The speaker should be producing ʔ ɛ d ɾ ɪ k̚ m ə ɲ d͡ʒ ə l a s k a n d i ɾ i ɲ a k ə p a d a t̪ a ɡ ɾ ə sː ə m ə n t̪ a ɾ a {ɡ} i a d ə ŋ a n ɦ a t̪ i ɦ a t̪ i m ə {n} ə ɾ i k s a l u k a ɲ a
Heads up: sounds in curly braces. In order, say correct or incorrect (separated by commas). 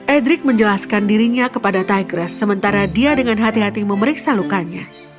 incorrect, incorrect